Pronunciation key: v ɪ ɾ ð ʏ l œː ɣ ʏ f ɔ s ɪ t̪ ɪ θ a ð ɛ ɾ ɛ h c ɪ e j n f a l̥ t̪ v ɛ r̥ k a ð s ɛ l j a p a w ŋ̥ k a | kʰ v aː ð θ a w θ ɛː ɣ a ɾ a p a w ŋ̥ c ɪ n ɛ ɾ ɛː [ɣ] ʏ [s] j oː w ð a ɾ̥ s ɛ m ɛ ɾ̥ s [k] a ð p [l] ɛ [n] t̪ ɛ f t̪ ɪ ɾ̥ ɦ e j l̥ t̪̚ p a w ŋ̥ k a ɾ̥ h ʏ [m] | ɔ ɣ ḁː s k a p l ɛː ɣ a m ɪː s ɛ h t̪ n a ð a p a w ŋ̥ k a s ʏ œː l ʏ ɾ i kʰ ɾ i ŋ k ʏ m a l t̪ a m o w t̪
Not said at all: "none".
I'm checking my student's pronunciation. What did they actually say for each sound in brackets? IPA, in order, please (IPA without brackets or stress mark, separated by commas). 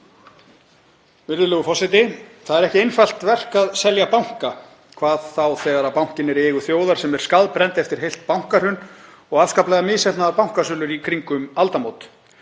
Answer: ɣ, θ, k, ɾ, n, n